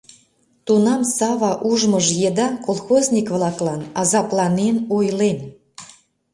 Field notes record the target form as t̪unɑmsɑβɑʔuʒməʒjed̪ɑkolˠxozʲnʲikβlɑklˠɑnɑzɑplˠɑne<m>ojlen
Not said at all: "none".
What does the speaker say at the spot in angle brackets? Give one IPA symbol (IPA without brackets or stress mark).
n